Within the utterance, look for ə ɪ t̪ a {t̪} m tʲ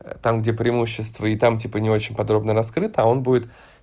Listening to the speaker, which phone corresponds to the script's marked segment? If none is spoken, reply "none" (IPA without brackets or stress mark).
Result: none